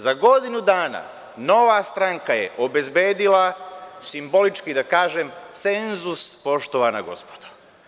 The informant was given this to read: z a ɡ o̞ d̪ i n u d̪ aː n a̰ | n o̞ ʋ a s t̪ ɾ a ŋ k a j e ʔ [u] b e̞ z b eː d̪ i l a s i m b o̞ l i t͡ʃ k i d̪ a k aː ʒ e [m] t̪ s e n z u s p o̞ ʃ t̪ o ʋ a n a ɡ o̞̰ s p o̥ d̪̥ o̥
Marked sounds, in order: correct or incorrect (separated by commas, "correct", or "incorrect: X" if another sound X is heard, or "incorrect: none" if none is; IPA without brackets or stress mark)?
incorrect: o, correct